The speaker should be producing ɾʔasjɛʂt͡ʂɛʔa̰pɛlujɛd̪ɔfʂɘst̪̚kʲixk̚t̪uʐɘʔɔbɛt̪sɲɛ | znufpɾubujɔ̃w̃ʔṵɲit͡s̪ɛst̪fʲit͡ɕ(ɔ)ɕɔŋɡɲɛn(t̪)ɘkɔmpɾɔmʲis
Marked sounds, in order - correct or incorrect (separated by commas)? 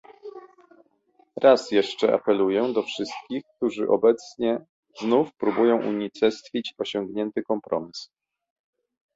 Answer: correct, correct